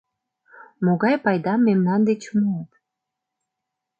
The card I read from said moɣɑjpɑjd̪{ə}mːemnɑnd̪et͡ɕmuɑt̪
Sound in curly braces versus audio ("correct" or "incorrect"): incorrect